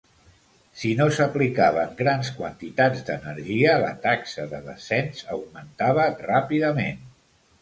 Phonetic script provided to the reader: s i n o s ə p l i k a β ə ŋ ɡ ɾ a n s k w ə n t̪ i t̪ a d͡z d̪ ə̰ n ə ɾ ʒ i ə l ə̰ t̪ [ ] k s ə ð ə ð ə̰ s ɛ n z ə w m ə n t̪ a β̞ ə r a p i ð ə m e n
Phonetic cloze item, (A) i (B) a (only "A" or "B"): B